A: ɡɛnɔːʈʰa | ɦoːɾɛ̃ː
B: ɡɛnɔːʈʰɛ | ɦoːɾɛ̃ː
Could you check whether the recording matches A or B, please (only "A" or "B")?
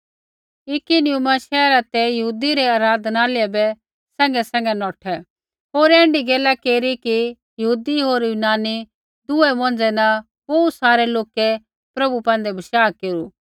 B